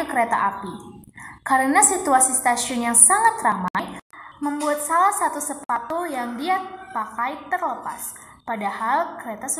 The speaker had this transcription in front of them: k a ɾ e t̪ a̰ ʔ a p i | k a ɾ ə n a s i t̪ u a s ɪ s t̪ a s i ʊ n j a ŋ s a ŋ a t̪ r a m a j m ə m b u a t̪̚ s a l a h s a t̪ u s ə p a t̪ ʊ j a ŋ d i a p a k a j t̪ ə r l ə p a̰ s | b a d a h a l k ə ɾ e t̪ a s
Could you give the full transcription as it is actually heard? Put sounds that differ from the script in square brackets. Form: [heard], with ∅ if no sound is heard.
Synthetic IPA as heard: k [ə] ɾ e t̪ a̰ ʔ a p i | k a ɾ ə n a s i t̪ u a s [i] s t̪ a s i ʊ n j a ŋ s a ŋ a t̪ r a m a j m ə m b u a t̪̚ s a l a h s a t̪ u s ə p a t̪ [u] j a ŋ d i a p a k a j t̪ ə r l ə p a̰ s | [p] a d a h a l k ə ɾ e t̪ a s

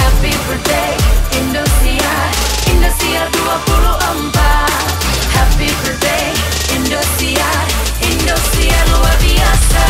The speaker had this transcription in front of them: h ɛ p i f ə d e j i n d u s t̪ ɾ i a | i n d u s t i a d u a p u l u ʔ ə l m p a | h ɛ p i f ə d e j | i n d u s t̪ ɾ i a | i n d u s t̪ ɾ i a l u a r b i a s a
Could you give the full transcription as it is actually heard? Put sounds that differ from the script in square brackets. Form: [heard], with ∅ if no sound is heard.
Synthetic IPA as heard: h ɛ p i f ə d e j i n d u s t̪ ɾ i a | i n d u s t i a d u a p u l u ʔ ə [∅] m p a | h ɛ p i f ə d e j | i n d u s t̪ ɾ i a | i n d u s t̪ ɾ i a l u a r b i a s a

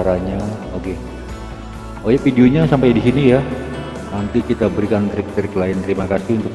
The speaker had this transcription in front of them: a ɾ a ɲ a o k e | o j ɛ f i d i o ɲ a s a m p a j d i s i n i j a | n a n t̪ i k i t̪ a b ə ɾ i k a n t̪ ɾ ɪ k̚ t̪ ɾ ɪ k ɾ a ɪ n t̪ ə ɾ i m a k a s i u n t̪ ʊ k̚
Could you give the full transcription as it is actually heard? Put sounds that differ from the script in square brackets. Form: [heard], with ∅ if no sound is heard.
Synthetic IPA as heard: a ɾ a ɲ a o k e | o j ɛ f i d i o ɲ a s a m p a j d i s i n i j a | n a n t̪ i k i t̪ a b ə ɾ i k a n t̪ ɾ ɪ k̚ t̪ ɾ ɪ k [l] a ɪ n t̪ ə ɾ i m a k a s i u n t̪ ʊ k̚

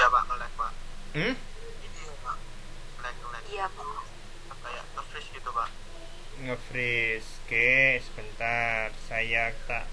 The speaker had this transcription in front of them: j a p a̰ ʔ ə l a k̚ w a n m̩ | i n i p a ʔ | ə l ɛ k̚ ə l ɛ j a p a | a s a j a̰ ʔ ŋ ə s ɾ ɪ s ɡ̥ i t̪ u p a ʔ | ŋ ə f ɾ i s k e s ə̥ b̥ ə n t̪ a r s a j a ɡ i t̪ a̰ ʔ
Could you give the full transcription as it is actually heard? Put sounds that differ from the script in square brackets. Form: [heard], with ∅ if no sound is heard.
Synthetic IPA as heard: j a p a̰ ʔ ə l [ɛ] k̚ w a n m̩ | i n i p a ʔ | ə l ɛ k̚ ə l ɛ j a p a | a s a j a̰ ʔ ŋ ə [f] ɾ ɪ s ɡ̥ i t̪ u p a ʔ | ŋ ə f ɾ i s k e s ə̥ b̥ ə n t̪ a r s a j a [k] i t̪ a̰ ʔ

